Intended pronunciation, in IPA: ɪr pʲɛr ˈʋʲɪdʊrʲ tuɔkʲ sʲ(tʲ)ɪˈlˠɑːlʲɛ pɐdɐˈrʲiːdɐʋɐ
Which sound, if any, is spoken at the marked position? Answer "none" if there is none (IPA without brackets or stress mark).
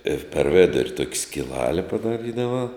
kʲ